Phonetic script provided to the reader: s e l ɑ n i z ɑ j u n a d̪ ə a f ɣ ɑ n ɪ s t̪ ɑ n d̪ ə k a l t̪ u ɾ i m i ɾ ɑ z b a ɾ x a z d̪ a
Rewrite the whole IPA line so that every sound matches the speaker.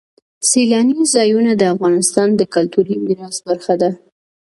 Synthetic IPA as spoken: s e l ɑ n i z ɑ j u n a d̪ ə a f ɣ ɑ n ɪ s t̪ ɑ n d̪ ə k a l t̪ u ɾ i m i ɾ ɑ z b a ɾ x a d̪ a

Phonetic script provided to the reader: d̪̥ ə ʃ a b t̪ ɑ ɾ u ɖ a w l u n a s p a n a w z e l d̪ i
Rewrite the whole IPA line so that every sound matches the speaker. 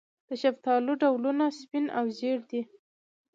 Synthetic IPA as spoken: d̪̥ ə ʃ a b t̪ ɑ l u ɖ a w l u n a s p i n a w z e ɽ d̪ i

